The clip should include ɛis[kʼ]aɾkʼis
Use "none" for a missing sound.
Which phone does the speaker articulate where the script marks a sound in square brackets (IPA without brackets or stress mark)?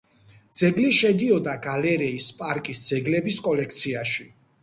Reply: pʼ